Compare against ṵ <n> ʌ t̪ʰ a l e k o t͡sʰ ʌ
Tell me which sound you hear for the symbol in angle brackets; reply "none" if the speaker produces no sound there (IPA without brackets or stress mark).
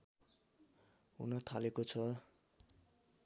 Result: n